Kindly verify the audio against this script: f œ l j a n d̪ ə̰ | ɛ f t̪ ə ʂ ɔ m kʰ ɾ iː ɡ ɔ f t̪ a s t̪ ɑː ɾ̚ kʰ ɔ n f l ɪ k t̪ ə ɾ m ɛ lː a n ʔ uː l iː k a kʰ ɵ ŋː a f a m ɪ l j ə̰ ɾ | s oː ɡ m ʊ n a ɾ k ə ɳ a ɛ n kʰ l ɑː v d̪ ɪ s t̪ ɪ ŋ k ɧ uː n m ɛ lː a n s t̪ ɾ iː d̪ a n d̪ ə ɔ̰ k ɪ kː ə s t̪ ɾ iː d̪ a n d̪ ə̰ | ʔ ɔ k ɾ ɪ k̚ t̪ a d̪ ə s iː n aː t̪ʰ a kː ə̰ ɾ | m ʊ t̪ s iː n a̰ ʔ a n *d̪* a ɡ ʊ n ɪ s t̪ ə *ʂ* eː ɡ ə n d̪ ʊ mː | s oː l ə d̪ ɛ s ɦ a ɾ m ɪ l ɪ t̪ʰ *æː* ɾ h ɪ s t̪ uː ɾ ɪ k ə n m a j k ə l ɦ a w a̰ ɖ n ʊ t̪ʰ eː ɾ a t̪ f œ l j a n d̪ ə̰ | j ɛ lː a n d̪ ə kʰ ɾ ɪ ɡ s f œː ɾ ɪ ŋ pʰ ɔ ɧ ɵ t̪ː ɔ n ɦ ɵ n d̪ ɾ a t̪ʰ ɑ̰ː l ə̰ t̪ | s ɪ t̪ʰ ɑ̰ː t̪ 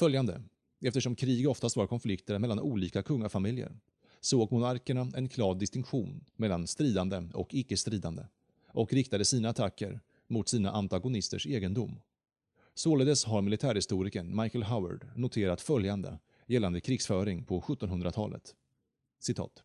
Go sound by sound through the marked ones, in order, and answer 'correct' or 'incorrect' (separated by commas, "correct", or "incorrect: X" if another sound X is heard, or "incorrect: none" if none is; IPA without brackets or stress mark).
incorrect: t̪, correct, correct